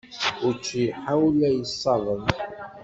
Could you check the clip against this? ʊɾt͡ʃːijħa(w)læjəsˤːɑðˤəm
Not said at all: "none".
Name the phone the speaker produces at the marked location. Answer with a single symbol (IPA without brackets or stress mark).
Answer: w